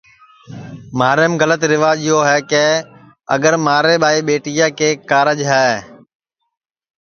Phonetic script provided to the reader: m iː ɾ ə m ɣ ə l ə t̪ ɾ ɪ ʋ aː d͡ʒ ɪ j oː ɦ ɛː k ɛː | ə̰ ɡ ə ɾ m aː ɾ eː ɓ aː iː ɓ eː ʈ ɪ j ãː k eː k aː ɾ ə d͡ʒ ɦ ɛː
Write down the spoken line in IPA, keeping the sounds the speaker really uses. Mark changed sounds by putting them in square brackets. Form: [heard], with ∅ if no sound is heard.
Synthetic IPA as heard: m [aː] ɾ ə m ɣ ə l ə t̪ ɾ ɪ ʋ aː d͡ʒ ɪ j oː ɦ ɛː k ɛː | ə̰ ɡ ə ɾ m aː ɾ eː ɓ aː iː ɓ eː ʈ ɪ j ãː k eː k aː ɾ ə d͡ʒ ɦ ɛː